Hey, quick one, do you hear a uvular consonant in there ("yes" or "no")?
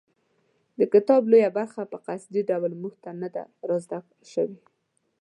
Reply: yes